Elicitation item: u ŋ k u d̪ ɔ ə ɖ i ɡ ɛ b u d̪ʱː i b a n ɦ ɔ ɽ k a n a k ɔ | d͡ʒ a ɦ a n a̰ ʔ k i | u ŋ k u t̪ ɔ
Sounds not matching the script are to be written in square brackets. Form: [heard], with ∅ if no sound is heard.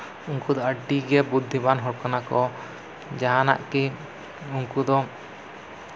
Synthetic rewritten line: u ŋ k u d̪ ɔ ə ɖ i ɡ ɛ b u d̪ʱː i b a n ɦ ɔ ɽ k a n a k ɔ | d͡ʒ a ɦ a n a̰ ʔ k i | u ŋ k u [d̪] ɔ